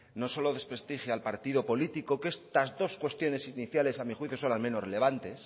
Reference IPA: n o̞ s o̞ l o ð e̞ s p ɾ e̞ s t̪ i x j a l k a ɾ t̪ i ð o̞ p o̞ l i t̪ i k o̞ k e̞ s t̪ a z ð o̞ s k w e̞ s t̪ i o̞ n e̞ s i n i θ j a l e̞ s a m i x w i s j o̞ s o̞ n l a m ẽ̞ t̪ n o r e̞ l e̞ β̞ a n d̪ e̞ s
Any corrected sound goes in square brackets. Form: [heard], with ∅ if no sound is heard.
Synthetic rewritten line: n o̞ s o̞ l o ð e̞ s p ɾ e̞ s t̪ i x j a l [p] a ɾ t̪ i ð o̞ p o̞ l i t̪ i k o̞ k e̞ s t̪ a z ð o̞ s k w e̞ s t̪ [j] o̞ n e̞ s i n i θ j a l e̞ s a m i x w i [θ] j o̞ s o̞ n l a m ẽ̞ [∅] n o r e̞ l e̞ β̞ a n [t̪] e̞ s